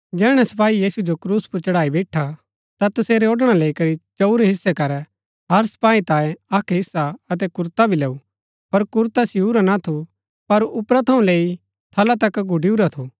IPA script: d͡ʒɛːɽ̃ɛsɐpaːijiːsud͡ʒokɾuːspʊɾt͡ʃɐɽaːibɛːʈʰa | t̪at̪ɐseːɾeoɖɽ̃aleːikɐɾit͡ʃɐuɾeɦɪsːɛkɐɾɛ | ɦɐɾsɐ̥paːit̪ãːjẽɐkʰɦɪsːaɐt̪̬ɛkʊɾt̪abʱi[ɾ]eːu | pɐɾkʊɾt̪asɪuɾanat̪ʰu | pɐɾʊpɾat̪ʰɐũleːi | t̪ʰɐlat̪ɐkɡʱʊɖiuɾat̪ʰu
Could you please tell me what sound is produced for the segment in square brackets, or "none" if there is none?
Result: l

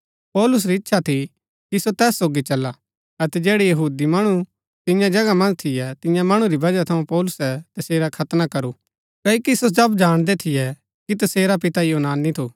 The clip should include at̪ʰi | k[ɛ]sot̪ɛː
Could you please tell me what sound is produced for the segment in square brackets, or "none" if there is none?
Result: i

